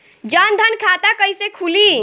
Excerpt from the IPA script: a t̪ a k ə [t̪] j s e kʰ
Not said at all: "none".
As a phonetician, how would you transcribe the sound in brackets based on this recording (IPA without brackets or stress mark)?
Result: none